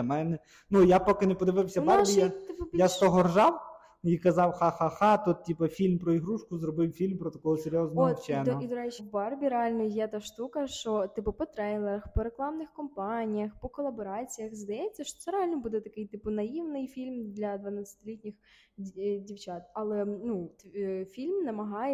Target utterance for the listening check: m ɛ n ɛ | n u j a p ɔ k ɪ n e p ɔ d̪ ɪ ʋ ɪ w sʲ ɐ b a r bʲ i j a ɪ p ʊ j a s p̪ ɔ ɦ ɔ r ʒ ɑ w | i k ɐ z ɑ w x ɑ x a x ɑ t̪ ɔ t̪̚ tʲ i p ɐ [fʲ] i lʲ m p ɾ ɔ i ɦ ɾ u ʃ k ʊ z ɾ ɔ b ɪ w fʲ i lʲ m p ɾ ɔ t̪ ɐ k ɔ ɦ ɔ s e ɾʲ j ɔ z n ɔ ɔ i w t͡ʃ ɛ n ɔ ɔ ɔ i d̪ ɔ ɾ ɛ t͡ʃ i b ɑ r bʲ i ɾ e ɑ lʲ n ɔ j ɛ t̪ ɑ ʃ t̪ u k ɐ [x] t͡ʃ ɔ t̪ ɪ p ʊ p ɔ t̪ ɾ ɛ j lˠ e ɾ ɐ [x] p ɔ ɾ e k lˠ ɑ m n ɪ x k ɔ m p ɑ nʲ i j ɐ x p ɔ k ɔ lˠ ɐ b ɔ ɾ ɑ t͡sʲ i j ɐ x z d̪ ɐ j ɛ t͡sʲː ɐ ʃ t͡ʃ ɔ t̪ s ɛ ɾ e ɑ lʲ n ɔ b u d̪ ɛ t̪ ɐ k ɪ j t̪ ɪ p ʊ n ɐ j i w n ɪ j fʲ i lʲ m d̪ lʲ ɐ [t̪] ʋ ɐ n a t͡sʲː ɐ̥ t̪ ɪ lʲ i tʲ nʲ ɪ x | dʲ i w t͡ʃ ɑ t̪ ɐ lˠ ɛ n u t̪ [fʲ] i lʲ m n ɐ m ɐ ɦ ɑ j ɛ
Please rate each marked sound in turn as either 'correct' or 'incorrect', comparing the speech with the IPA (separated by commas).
correct, incorrect, correct, incorrect, correct